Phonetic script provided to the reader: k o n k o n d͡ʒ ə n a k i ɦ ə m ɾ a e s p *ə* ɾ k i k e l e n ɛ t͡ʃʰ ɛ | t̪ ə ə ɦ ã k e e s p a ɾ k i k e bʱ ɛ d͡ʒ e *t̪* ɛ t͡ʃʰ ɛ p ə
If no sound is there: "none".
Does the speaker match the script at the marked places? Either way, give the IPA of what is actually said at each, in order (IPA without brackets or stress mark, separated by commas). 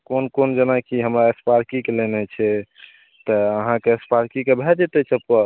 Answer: a, t̪